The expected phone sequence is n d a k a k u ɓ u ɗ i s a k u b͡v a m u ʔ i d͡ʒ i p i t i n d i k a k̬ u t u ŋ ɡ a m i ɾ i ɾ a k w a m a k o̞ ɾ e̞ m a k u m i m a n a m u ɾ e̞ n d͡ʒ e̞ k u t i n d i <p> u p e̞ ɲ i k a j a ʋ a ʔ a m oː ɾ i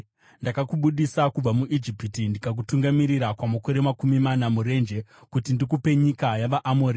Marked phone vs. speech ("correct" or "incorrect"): incorrect